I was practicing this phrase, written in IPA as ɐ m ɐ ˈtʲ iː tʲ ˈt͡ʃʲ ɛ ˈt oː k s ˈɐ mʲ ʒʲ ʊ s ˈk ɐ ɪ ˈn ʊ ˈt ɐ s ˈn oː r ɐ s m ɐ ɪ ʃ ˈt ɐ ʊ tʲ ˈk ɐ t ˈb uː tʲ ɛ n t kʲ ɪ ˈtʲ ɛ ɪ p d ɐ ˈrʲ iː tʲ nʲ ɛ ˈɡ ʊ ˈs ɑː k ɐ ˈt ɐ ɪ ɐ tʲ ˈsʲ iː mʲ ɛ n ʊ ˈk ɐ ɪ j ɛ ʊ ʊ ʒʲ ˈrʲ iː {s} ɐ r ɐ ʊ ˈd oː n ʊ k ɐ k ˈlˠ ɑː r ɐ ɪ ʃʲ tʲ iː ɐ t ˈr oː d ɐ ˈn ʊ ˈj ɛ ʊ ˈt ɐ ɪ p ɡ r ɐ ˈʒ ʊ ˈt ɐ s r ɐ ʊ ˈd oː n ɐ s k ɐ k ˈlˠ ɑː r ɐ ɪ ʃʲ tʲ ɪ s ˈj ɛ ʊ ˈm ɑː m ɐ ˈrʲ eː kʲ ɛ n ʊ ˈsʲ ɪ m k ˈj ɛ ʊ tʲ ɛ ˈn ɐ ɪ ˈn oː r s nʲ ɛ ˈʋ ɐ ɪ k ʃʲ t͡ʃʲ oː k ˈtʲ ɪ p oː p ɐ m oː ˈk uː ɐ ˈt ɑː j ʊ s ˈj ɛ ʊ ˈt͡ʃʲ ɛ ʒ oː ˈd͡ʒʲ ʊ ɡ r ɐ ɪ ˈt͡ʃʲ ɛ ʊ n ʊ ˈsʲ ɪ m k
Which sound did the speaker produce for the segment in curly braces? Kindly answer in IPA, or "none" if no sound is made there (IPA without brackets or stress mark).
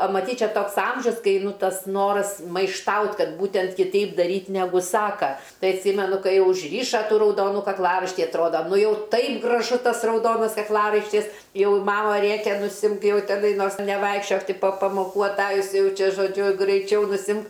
ʃ